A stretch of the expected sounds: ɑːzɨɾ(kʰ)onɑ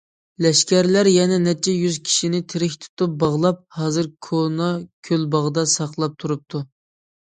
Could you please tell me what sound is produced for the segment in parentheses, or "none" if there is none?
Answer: kʰ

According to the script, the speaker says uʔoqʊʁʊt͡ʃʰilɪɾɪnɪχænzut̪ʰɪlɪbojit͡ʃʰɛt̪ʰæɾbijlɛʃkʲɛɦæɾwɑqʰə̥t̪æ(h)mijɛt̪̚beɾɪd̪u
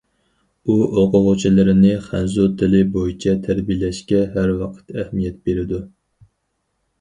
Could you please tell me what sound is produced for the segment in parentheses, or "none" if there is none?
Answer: h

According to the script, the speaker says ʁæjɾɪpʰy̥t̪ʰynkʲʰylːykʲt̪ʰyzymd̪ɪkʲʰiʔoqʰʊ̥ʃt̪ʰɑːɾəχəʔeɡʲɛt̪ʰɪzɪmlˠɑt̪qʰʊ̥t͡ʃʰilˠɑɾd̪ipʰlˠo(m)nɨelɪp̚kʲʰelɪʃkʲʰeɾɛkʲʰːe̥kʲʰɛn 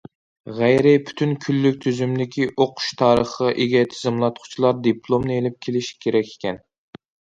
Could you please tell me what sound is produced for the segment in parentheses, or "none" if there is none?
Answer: m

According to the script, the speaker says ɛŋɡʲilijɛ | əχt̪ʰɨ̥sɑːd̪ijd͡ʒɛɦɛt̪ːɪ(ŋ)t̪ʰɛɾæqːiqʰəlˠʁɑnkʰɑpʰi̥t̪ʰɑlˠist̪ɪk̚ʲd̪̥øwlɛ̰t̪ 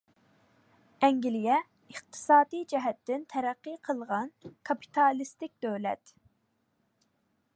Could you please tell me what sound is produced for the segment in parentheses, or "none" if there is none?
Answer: n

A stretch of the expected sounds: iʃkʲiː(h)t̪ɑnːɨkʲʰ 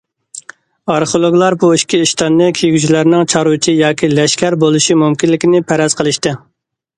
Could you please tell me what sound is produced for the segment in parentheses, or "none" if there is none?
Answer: ʃ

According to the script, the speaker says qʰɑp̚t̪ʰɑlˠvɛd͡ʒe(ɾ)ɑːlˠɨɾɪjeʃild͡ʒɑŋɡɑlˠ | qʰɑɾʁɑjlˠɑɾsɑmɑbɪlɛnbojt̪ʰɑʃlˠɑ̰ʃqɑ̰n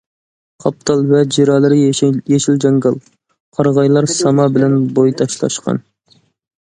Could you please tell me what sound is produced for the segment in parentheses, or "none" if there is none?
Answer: ɾ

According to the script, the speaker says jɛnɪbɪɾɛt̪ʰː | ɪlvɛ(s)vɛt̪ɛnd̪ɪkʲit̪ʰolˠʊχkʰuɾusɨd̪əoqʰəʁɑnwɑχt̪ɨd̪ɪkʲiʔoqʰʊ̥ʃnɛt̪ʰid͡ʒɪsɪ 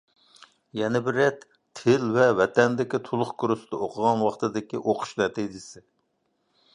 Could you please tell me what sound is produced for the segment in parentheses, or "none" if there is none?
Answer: none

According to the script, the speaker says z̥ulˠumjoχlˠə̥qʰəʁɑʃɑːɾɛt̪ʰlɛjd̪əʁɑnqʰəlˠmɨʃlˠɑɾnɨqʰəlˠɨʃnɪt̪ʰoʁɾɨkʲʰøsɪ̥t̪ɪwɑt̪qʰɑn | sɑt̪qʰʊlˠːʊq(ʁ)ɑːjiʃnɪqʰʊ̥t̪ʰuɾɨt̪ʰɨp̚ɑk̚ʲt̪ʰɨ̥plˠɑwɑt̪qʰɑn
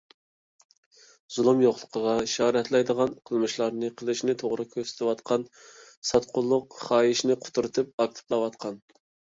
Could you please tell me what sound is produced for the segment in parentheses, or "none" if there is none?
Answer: χ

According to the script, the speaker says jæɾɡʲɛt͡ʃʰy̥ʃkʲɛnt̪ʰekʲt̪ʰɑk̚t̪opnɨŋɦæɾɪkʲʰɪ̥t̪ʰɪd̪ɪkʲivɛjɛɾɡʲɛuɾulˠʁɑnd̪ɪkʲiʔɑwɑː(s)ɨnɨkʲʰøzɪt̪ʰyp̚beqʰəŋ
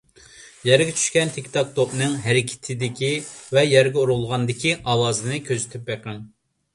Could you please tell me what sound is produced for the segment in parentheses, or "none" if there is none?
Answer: z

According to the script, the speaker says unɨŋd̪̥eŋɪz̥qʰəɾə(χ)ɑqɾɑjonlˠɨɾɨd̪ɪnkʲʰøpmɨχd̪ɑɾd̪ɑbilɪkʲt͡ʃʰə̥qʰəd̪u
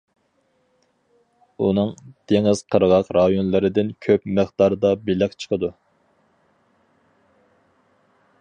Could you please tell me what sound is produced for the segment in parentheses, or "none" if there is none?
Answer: ʁ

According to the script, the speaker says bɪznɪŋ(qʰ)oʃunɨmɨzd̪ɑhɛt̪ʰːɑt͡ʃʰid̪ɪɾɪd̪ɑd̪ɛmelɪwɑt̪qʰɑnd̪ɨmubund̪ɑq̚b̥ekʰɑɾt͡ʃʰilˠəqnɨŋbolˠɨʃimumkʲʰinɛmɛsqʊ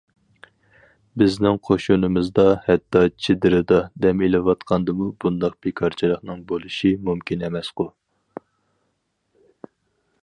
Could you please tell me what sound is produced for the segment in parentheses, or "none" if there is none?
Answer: qʰ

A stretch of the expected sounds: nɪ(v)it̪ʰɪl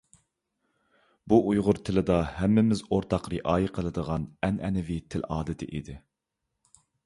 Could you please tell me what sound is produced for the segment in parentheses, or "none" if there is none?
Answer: v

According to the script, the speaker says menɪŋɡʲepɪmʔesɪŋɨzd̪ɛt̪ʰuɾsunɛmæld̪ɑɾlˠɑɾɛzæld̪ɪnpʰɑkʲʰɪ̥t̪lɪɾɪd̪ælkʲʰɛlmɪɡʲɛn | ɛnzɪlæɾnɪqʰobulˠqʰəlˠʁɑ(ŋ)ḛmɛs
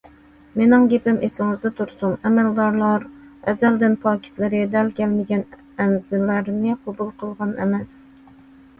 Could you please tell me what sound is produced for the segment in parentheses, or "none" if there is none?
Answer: n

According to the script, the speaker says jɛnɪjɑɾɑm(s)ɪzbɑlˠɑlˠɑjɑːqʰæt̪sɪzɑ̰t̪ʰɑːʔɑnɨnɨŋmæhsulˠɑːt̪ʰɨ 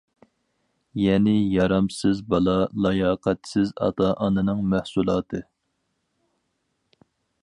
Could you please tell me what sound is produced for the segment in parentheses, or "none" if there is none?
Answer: s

